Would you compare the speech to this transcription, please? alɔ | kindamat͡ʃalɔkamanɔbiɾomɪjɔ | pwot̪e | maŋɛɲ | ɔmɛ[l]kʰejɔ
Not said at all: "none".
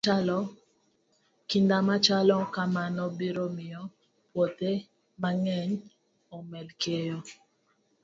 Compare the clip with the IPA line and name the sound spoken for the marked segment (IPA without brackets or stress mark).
l